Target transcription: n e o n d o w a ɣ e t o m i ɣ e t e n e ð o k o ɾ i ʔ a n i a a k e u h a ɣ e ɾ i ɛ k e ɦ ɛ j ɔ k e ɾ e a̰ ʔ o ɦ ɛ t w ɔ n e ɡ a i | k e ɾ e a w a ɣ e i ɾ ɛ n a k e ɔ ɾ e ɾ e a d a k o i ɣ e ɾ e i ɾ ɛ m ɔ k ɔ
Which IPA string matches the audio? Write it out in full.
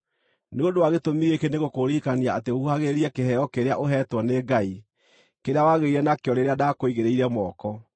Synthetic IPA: n e o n d o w a ɣ e t o m i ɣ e k e n e ɣ o k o ɾ i k a n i a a t e u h a ɣ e ɾ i ɛ k e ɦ ɛ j ɔ k e ɾ e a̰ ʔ o ɦ ɛ t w ɔ n e ɡ a i | k e ɾ e a w a ɣ e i ɾ ɛ n a k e ɔ ɾ e ɾ e a d a k o i ɣ e ɾ e i ɾ ɛ m ɔ k ɔ